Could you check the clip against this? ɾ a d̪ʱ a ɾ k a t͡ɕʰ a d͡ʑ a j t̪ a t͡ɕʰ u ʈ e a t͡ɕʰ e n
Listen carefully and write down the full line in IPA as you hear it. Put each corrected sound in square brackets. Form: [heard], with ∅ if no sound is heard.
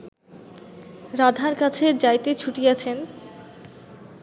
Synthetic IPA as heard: ɾ a d̪ʱ a ɾ k a t͡ɕʰ [e] d͡ʑ a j t̪ [e] t͡ɕʰ u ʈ [i] a t͡ɕʰ e n

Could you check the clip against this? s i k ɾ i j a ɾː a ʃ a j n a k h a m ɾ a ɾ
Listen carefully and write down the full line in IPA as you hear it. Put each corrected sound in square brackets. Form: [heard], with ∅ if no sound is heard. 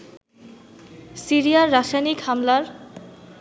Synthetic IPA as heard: s i [∅] ɾ i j a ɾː a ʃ a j n [i] k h a m [l] a ɾ

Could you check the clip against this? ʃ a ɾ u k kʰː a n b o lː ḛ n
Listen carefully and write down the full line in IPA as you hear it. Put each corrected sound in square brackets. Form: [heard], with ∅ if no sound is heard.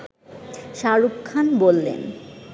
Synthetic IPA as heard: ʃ a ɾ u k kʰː a n b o lː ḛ n

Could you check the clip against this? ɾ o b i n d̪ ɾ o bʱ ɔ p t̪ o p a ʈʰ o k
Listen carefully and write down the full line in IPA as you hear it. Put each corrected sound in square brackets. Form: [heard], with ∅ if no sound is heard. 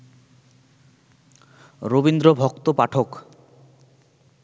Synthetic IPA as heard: ɾ o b i n d̪ ɾ o bʱ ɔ [k] t̪ o p a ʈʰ o k

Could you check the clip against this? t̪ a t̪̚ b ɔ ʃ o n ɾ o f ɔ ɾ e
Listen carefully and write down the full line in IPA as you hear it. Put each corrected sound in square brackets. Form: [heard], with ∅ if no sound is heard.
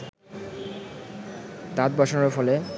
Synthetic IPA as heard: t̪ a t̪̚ b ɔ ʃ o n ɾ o f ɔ [l] e

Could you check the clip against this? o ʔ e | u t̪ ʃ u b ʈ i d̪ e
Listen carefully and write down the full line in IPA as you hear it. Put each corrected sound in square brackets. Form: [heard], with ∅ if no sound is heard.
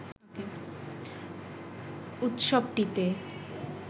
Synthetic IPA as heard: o [k] e | u t̪ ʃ [o] b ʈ i [t̪] e

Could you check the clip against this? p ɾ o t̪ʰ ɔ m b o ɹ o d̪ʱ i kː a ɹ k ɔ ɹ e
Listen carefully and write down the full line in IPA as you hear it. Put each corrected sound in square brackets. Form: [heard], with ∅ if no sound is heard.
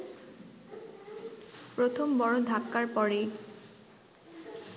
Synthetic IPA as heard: p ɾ o t̪ʰ [o] m b [ɔ] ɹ o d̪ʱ [a] kː a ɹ [p] ɔ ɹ e

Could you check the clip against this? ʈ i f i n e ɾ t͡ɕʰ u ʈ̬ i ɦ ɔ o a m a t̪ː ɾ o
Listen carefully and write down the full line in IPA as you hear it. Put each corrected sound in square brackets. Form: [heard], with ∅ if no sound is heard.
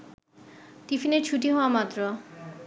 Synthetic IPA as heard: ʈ i f i n e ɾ t͡ɕʰ u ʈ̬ i ɦ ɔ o a m a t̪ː ɾ o

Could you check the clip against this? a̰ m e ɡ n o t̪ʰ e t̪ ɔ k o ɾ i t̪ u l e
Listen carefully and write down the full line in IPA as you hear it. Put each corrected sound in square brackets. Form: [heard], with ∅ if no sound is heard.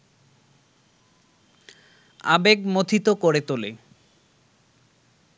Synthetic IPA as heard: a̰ [b] e ɡ [m] o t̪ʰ [i] t̪ [o] k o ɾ [e] t̪ [o] l e

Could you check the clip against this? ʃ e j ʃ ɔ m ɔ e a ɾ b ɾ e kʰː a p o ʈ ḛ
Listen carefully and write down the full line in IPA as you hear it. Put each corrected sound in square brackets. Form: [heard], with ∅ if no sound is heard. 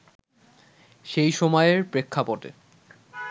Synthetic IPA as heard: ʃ e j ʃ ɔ m ɔ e [e] ɾ [p] ɾ e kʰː a p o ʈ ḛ

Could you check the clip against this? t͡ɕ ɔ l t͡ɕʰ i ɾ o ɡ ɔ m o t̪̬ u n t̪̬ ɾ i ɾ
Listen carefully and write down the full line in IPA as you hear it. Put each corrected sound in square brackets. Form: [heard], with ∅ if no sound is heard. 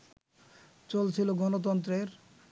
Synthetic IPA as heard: t͡ɕ [o] l t͡ɕʰ i [l] o ɡ ɔ [n] o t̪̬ [ɔ] n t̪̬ ɾ [e] ɾ

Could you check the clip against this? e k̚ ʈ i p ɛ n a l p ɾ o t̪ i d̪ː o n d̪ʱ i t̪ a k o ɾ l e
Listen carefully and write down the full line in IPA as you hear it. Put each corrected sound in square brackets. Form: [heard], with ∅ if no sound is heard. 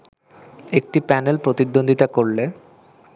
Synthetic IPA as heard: e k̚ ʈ i p ɛ n [e] l p ɾ o t̪ i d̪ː o n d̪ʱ i t̪ a k o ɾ l e

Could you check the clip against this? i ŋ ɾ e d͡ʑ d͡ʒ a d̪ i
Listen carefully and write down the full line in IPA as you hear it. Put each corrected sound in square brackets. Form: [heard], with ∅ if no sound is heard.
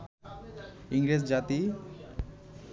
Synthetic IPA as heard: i ŋ ɾ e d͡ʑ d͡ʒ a [t̪] i

